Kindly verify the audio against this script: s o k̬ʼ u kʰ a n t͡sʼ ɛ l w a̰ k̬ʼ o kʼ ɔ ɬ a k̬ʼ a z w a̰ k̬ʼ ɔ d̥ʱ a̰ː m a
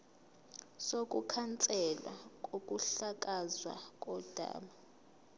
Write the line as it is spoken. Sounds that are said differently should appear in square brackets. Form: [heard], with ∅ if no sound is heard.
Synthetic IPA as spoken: s o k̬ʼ u kʰ a n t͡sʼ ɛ l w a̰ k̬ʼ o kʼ [u] ɬ a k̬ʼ a z w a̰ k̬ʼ ɔ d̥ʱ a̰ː m a